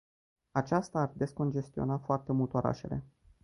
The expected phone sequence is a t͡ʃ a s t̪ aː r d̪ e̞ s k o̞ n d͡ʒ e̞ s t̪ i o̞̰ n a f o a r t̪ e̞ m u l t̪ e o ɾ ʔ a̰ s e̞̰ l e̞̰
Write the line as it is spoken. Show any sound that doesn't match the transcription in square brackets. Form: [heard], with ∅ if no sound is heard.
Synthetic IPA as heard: a t͡ʃ a s t̪ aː r d̪ e̞ s k o̞ n d͡ʒ e̞ s t̪ i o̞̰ n a f o a r t̪ e̞ m u l t̪ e o ɾ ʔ a̰ [ʃ] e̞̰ l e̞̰